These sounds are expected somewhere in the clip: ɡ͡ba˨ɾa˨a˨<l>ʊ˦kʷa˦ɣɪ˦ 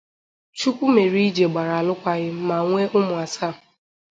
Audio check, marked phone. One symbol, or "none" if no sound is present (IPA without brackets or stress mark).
l